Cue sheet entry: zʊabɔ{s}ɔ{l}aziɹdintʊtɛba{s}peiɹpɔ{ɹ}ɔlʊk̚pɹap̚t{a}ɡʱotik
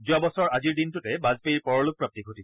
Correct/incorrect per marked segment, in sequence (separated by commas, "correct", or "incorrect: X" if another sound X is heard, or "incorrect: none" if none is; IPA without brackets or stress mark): correct, incorrect: ɹ, incorrect: z, correct, incorrect: i